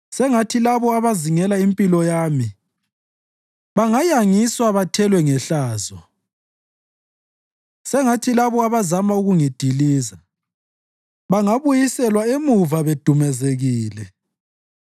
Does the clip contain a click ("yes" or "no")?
no